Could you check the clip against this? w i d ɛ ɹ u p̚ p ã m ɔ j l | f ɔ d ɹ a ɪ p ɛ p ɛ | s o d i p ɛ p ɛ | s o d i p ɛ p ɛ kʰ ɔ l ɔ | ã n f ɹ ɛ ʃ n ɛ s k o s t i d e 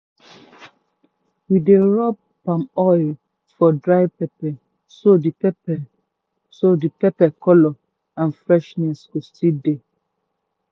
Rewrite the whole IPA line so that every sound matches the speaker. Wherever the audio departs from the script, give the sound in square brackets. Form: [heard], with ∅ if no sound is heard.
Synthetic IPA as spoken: w i d [e] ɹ [ɔ] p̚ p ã m ɔ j l | f ɔ d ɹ a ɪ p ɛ p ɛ | s o d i p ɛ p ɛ | s o d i p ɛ p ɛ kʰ ɔ l ɔ | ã n f ɹ ɛ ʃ n ɛ s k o s t i d e